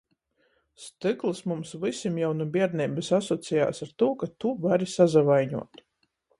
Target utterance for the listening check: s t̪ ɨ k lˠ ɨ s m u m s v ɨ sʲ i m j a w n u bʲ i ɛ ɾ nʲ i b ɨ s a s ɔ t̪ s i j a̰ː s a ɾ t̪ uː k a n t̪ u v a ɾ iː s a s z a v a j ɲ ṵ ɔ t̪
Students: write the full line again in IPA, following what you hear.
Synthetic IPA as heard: s t̪ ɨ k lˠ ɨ s m u m s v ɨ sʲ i m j a w n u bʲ i ɛ ɾ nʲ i b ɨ s a s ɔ t̪ s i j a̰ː s a ɾ t̪ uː k a t̪ u v a ɾ i s a z a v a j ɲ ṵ ɔ t̪